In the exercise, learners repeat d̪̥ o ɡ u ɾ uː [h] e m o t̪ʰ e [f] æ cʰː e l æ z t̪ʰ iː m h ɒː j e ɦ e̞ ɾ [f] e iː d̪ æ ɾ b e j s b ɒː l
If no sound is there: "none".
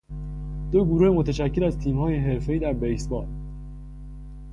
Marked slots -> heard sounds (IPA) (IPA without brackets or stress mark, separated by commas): h, ʃ, f